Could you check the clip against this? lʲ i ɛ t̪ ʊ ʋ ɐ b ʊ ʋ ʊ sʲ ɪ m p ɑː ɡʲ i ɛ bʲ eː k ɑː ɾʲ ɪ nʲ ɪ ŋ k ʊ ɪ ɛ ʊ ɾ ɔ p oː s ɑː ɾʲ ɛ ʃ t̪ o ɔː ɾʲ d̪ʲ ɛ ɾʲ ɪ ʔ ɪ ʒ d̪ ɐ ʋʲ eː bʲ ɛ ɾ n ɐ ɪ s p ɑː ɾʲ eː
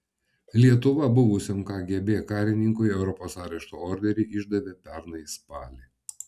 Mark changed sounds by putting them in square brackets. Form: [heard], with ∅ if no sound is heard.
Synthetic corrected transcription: lʲ i ɛ t̪ ʊ ʋ ɐ b ʊ ʋ ʊ sʲ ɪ m [k] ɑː ɡʲ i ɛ bʲ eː k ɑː ɾʲ ɪ nʲ ɪ ŋ k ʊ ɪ ɛ ʊ ɾ ɔ p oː s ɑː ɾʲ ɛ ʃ t̪ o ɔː ɾʲ d̪ʲ ɛ ɾʲ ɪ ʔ ɪ ʒ d̪ ɐ ʋʲ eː [pʲ] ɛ ɾ n ɐ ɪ s p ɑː [lʲ] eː

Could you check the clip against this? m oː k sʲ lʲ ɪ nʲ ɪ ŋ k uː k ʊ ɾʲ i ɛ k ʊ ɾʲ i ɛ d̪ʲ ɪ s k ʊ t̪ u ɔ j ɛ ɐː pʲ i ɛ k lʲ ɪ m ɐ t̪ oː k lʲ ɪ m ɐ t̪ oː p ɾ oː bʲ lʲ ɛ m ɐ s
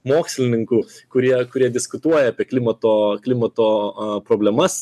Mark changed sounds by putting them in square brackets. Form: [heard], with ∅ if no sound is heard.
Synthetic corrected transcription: m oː k sʲ lʲ ɪ nʲ ɪ ŋ k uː k ʊ ɾʲ i ɛ k ʊ ɾʲ i ɛ d̪ʲ ɪ s k ʊ t̪ u ɔ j ɛ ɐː pʲ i ɛ k lʲ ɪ m ɐ t̪ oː k lʲ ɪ m ɐ t̪ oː p ɾ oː bʲ lʲ ɛ m ɐ s

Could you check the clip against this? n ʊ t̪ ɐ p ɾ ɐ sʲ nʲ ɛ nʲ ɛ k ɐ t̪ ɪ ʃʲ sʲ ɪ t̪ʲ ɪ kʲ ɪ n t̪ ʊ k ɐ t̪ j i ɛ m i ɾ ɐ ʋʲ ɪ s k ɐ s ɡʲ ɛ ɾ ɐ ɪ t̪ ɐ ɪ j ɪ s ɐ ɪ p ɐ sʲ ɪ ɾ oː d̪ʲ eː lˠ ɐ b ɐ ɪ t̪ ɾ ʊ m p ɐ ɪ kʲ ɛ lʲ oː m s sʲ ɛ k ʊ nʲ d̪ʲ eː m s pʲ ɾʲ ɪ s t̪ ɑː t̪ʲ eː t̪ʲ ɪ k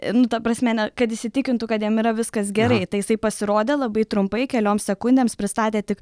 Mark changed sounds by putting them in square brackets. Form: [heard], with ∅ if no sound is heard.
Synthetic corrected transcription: n ʊ t̪ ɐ p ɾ ɐ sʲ [mʲ] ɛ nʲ ɛ k ɐ t̪ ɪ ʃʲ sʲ ɪ t̪ʲ ɪ kʲ ɪ n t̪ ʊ k ɐ t̪ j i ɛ m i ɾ ɐ ʋʲ ɪ s k ɐ s ɡʲ ɛ ɾ ɐ ɪ t̪ ɐ ɪ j ɪ s ɐ ɪ p ɐ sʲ ɪ ɾ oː d̪ʲ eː lˠ ɐ b ɐ ɪ t̪ ɾ ʊ m p ɐ ɪ kʲ ɛ lʲ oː m s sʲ ɛ k ʊ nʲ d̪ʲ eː m s pʲ ɾʲ ɪ s t̪ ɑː t̪ʲ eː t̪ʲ ɪ k

